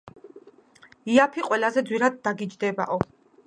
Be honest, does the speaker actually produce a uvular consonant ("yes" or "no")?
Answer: yes